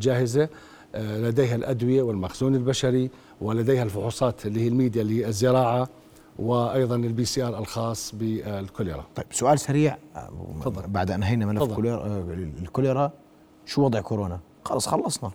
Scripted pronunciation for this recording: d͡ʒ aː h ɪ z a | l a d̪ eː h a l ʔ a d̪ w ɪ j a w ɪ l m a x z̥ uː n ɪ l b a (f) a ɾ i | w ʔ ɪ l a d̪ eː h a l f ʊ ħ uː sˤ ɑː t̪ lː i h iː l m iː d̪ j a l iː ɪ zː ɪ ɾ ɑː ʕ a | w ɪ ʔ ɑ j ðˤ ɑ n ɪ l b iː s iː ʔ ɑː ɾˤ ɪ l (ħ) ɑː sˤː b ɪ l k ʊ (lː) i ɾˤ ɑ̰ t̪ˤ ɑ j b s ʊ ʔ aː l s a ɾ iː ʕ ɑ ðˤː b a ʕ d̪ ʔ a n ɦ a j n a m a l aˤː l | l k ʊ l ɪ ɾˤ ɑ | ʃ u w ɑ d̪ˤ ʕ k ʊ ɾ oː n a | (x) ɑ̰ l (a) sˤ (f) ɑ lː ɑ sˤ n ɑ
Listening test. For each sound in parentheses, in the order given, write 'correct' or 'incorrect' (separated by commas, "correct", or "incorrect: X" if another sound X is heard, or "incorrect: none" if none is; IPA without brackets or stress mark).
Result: incorrect: ʃ, incorrect: x, incorrect: l, correct, incorrect: ɑ, incorrect: x